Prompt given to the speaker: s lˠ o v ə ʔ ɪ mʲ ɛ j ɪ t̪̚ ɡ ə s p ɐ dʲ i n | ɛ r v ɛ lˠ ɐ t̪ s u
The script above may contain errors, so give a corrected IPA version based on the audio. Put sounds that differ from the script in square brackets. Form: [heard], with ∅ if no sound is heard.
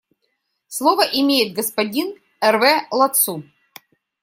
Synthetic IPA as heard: s lˠ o v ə ʔ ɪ mʲ [e] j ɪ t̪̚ ɡ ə s p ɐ dʲ i n | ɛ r v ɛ lˠ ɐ t̪ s u

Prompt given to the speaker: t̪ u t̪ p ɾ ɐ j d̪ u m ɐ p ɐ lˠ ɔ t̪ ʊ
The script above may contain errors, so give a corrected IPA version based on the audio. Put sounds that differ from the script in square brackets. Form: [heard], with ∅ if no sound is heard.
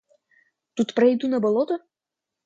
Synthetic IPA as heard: t̪ u t̪ p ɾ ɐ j d̪ u [n] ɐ [b] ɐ lˠ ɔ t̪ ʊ

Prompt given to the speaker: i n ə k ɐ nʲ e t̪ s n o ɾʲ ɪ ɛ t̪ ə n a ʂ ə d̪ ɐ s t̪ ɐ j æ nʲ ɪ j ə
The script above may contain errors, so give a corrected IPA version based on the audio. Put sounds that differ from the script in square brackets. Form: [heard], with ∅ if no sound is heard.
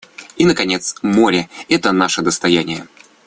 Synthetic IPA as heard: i n ə k ɐ nʲ e t̪ s [m] o ɾʲ ɪ ɛ t̪ ə n a ʂ ə d̪ [ə] s t̪ ɐ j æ nʲ ɪ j ə

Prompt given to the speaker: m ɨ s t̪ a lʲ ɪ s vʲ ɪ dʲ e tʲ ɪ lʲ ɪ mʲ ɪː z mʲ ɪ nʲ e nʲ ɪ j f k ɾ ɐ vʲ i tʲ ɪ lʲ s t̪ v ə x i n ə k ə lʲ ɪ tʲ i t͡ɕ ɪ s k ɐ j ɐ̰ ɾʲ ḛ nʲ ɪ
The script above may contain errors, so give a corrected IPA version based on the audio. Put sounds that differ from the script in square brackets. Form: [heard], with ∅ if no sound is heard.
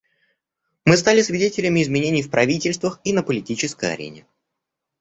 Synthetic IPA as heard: m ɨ s t̪ a lʲ ɪ s vʲ ɪ dʲ e tʲ ɪ lʲ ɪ mʲ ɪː z mʲ ɪ nʲ e nʲ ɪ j f [p] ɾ ɐ vʲ i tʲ ɪ lʲ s t̪ v ə x i n ə [p] ə lʲ ɪ tʲ i t͡ɕ ɪ s k [ə] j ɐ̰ ɾʲ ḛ nʲ ɪ

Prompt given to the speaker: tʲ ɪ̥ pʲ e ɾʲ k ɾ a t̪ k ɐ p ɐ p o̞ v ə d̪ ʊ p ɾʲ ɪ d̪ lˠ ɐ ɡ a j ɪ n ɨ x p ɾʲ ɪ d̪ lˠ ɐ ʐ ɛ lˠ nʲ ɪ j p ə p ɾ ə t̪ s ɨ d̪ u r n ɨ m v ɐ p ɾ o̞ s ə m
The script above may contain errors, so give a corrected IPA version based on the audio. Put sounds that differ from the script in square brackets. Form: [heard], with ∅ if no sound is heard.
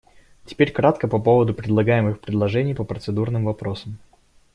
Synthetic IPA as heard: tʲ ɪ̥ pʲ e ɾʲ k ɾ a t̪ k [ə] p ɐ p o̞ v ə d̪ ʊ p ɾʲ ɪ d̪ lˠ ɐ ɡ a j ɪ [m] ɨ x p ɾʲ ɪ d̪ lˠ ɐ ʐ ɛ [∅] nʲ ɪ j p ə p ɾ ə t̪ s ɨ d̪ u r n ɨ m v ɐ p ɾ o̞ s ə m

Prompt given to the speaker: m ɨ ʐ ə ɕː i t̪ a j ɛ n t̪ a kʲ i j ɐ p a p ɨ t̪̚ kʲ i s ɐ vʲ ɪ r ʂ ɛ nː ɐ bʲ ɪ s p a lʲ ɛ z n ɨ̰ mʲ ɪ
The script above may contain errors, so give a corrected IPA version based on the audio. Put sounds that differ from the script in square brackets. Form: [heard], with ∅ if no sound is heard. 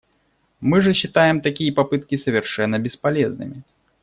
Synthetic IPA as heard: m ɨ ʐ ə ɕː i t̪ a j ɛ [m] t̪ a kʲ i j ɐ p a p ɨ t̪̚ kʲ i s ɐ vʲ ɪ r ʂ ɛ nː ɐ bʲ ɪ s p a lʲ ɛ z n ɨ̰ mʲ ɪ

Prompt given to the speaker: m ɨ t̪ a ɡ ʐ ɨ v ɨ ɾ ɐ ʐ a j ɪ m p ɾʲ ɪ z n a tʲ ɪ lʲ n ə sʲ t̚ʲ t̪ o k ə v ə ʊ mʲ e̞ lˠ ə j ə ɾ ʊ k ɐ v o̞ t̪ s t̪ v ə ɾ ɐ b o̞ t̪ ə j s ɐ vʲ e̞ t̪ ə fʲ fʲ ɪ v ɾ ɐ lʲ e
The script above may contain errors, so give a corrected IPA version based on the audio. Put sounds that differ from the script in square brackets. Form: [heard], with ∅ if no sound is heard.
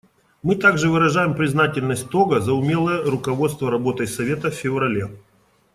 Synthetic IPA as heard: m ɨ t̪ a ɡ ʐ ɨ v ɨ ɾ ɐ ʐ a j ɪ m p ɾʲ ɪ z n a tʲ ɪ lʲ n ə sʲ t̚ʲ t̪ o [ɡ] ə [z] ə ʊ mʲ e̞ lˠ ə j ə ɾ ʊ k ɐ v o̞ t̪ s t̪ v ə ɾ ɐ b o̞ t̪ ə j s ɐ vʲ e̞ t̪ ə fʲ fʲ ɪ v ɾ ɐ lʲ e

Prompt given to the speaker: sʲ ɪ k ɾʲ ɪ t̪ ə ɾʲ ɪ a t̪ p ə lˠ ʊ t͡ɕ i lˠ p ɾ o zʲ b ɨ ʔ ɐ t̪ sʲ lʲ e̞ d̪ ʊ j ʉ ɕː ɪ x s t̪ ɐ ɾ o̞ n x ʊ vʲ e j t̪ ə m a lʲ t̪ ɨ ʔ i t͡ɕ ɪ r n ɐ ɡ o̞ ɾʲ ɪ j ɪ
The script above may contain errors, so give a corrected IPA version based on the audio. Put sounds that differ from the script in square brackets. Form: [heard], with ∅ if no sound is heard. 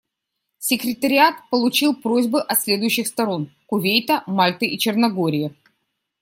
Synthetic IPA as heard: sʲ ɪ k ɾʲ ɪ t̪ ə ɾʲ ɪ a t̪ p ə lˠ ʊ t͡ɕ i lˠ p ɾ o zʲ b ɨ ʔ ɐ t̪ sʲ lʲ e̞ d̪ ʊ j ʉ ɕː ɪ x s t̪ ɐ ɾ o̞ n [k] ʊ vʲ e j t̪ ə m a lʲ t̪ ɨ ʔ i t͡ɕ ɪ r n ɐ ɡ o̞ ɾʲ ɪ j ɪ

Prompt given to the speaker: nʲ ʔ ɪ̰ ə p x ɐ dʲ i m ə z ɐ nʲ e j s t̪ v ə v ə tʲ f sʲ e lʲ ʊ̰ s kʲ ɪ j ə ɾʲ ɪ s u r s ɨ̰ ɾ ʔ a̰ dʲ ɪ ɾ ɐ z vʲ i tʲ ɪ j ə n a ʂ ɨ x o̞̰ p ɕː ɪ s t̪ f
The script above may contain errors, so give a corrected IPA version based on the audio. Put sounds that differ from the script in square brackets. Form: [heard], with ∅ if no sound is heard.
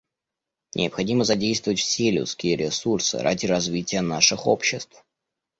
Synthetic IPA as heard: nʲ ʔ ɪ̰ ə p x ɐ dʲ i m ə z ɐ [dʲ] e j s t̪ v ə v ə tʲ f sʲ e lʲ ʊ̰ s kʲ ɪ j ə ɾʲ ɪ s u r s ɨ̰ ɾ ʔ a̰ dʲ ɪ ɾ ɐ z vʲ i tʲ ɪ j ə n a ʂ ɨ x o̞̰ p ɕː ɪ s t̪ f

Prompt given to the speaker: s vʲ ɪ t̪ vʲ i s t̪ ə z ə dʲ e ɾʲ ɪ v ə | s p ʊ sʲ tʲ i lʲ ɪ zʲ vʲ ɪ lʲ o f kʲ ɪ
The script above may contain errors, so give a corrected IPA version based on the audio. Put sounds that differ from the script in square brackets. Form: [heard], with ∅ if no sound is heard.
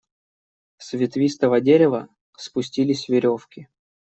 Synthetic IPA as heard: s vʲ ɪ t̪ vʲ i s t̪ ə [v] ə dʲ e ɾʲ ɪ v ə | s p ʊ sʲ tʲ i lʲ ɪ [sʲ] vʲ ɪ [ɾʲ] o f kʲ ɪ

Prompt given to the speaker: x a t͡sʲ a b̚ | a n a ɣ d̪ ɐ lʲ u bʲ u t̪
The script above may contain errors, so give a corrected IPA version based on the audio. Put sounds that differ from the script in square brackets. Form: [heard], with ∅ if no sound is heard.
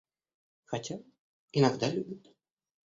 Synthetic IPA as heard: x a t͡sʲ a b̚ | [i] n a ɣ d̪ [a] lʲ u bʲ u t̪

